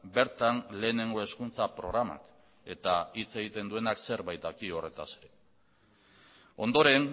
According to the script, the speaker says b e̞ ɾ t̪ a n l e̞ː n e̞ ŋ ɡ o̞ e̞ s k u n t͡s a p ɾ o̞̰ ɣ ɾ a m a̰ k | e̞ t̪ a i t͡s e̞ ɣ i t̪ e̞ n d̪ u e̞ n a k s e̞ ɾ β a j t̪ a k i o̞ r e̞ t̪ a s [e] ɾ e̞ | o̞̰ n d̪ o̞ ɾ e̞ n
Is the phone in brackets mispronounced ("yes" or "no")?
no